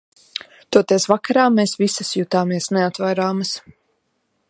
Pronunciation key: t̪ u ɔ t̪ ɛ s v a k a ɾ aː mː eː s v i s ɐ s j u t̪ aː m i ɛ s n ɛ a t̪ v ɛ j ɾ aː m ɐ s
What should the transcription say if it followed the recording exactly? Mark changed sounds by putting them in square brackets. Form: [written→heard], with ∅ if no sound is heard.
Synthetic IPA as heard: t̪ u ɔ t̪ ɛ s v a k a ɾ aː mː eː s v i s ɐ s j u t̪ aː m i ɛ s n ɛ a t̪ v [ɛ→a] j ɾ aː m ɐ s